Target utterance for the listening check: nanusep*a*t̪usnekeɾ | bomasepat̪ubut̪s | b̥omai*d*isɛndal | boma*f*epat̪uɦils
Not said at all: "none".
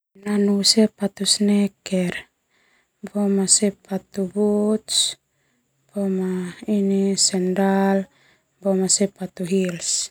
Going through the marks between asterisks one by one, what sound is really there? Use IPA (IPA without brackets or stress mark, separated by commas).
a, n, s